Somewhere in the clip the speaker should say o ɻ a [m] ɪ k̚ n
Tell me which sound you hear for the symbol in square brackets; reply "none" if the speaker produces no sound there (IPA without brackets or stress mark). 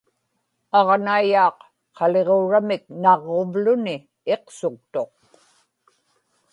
m